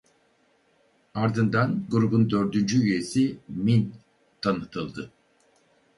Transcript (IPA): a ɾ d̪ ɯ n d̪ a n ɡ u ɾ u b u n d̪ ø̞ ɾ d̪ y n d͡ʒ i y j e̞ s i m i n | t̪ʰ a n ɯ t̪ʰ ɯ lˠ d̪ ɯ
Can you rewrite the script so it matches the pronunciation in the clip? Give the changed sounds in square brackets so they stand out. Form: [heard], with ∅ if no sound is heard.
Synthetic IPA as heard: a ɾ d̪ ɯ n d̪ a n ɡ u ɾ u b u n d̪ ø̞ ɾ d̪ y n d͡ʒ [y] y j e̞ s i m i n | t̪ʰ a n ɯ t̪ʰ ɯ lˠ d̪ ɯ